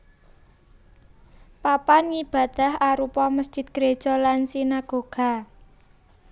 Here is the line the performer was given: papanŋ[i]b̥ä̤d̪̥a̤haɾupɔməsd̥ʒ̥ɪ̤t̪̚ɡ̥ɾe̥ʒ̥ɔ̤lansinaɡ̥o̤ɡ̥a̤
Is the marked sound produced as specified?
yes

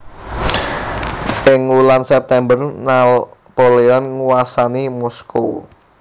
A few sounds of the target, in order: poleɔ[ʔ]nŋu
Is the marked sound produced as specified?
no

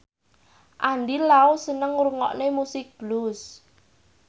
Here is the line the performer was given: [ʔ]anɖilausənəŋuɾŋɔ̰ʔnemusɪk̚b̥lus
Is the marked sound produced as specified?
yes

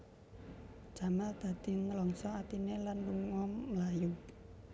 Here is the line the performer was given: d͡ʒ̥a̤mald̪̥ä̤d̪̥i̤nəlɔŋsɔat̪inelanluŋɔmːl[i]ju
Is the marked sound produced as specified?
no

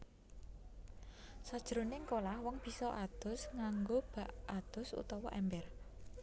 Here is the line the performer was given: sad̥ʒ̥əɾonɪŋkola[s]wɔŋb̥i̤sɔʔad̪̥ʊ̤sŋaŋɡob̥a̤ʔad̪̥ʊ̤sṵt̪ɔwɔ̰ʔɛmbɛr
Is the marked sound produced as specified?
no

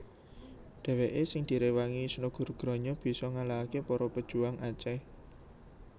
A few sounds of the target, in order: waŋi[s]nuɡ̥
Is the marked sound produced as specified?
yes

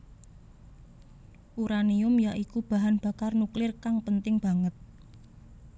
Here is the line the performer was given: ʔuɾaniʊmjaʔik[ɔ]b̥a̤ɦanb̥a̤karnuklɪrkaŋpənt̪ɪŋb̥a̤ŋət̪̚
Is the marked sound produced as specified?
no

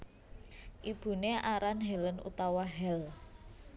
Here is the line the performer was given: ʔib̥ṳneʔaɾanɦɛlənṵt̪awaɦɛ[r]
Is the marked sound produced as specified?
no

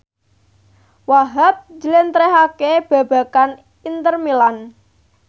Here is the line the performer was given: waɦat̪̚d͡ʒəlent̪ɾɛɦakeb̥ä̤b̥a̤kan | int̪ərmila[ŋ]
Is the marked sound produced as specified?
no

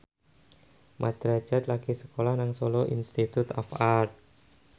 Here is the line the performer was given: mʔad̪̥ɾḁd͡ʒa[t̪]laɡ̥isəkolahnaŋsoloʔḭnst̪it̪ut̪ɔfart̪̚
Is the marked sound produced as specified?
yes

